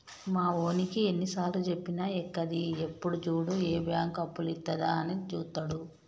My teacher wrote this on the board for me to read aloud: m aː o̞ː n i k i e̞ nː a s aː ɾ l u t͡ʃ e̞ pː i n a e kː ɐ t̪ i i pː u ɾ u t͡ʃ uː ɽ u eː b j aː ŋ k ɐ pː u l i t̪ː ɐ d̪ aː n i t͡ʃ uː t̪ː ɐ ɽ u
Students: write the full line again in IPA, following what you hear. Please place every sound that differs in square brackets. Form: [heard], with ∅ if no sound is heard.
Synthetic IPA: m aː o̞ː n i k i e̞ nː [i] s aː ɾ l u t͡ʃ e̞ pː i n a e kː ɐ [d̪] i [e] pː u [ɽ] u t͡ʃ uː ɽ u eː b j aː ŋ k ɐ pː u l i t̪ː ɐ d̪ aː n i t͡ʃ uː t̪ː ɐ ɽ u